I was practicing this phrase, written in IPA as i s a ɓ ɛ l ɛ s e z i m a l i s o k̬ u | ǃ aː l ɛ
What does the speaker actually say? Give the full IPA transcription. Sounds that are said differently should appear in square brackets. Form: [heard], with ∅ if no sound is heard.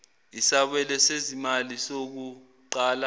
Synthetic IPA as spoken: i s a ɓ ɛ l ɛ s e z i m a l i s o k̬ u | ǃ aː l [a]

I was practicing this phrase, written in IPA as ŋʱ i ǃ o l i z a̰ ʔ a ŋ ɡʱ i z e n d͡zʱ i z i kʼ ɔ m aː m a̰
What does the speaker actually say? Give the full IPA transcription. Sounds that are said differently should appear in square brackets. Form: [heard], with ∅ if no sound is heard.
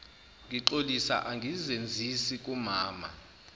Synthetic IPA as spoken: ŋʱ i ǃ o l i [s] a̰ ʔ a ŋ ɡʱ i z e n d͡zʱ i [s] i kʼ [u] m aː m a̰

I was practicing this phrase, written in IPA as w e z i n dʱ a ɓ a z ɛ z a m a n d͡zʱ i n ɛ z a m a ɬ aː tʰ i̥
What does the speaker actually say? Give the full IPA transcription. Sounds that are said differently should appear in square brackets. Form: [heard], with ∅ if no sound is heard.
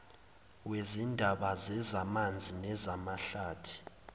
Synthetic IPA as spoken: w e z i n dʱ a ɓ a z ɛ z a m a n d͡zʱ i n ɛ z a m a ɬ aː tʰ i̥

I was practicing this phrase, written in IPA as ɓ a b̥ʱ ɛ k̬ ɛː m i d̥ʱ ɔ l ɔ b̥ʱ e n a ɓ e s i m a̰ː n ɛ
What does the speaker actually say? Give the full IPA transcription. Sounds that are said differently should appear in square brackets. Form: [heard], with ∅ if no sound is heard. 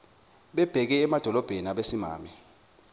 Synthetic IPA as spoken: ɓ [ɛ] b̥ʱ ɛ k̬ ɛː m [a] d̥ʱ ɔ l ɔ b̥ʱ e n a ɓ e s i m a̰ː [m] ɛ

